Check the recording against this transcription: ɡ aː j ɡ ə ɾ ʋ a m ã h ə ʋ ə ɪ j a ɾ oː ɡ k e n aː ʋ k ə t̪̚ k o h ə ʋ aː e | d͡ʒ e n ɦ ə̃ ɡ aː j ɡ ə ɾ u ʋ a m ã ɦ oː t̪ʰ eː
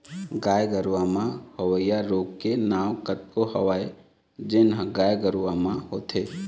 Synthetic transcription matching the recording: ɡ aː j ɡ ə ɾ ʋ a m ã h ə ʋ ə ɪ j a ɾ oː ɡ k e n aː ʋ k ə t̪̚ k o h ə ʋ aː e | d͡ʒ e n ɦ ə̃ ɡ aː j ɡ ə ɾ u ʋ a m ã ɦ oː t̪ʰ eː